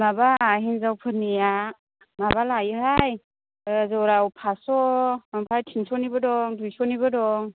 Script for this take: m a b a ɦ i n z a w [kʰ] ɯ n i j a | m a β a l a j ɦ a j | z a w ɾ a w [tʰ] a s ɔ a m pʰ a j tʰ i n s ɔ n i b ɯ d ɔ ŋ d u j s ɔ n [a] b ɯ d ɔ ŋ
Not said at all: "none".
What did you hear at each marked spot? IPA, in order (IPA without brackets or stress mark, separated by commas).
pʰ, pʰ, i